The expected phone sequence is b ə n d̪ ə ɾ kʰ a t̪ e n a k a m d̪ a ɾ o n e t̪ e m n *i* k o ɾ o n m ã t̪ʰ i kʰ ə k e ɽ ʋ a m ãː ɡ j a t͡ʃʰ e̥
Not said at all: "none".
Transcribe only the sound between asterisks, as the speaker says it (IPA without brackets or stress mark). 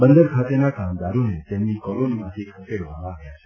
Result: i